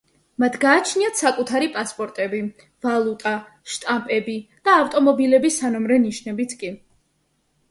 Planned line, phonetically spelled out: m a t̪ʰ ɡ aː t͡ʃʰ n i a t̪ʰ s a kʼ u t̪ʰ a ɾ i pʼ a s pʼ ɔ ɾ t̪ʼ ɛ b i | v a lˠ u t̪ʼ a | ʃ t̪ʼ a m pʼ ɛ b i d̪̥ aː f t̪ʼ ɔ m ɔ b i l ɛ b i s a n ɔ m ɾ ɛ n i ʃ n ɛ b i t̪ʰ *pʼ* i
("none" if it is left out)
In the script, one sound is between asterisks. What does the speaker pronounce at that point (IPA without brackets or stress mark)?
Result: kʼ